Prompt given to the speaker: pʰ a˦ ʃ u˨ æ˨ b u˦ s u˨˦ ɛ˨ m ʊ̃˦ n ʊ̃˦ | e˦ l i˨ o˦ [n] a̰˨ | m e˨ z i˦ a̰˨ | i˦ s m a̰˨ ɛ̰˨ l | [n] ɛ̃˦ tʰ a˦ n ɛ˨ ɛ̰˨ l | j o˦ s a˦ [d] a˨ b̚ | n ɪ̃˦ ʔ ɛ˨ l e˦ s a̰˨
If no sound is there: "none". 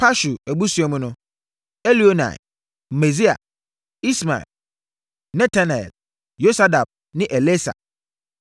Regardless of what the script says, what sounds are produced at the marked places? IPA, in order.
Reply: n, n, d

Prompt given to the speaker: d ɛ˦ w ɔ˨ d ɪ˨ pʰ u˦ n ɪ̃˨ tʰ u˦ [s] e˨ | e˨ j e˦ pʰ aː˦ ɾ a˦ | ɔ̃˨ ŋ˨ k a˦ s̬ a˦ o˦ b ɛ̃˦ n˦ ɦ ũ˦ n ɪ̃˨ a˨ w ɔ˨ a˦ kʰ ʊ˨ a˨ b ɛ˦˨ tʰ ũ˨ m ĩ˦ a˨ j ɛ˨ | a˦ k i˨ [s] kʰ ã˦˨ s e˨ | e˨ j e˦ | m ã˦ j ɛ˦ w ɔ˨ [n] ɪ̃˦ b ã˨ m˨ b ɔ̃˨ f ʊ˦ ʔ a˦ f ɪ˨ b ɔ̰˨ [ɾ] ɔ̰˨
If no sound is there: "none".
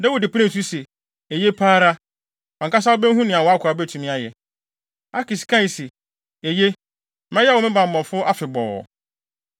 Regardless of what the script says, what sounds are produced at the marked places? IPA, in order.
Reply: s, s, m, none

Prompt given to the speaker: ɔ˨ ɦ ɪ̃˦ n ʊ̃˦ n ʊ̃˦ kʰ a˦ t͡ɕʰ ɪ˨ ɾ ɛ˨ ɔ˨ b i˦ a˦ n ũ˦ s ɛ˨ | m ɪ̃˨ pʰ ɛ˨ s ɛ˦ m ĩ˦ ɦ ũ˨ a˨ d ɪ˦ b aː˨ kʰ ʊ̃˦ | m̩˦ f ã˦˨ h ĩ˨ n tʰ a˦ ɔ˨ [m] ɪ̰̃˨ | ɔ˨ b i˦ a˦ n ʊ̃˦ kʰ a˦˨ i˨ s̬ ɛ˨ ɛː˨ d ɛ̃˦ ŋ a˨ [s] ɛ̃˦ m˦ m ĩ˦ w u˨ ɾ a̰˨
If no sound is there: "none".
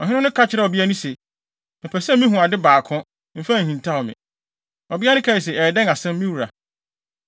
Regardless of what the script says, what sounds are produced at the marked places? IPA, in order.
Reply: m, s

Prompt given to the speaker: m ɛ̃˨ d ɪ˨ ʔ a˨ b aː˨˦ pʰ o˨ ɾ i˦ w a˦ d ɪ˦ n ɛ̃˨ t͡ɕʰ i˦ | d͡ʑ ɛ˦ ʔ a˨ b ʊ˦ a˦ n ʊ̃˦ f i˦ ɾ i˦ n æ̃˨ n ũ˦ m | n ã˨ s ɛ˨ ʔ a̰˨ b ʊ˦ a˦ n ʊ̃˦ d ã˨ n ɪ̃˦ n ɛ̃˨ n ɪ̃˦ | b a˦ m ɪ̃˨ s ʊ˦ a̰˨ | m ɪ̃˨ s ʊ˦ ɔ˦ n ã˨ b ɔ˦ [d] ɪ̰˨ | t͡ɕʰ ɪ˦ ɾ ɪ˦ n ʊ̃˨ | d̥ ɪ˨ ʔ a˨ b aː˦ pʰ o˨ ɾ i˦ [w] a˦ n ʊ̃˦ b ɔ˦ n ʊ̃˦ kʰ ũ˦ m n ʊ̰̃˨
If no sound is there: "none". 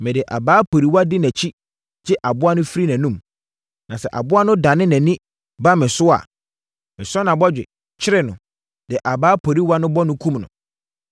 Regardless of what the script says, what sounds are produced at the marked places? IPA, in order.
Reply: d͡ʑᶣ, w

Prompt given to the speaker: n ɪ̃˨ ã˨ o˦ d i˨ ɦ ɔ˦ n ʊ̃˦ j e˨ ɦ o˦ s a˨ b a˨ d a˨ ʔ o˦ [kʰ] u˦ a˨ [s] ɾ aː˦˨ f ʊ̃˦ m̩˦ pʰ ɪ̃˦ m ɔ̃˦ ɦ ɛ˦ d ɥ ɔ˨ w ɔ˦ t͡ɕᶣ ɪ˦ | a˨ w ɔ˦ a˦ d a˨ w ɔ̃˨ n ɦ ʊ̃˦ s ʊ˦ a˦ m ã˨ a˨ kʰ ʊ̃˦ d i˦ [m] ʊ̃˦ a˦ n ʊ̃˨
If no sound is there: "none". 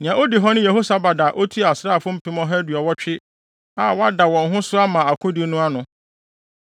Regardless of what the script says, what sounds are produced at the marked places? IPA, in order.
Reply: tʰ, s, n

